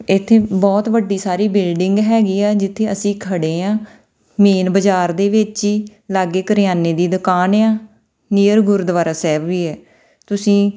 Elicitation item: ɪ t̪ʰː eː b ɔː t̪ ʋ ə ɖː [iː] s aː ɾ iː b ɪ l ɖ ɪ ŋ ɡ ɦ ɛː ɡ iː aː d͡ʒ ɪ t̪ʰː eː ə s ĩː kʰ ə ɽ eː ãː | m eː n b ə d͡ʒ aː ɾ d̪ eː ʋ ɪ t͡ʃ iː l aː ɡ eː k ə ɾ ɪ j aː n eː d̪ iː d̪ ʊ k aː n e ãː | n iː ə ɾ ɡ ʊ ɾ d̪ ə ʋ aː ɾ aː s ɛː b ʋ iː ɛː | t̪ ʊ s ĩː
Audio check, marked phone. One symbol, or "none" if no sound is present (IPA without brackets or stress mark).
iː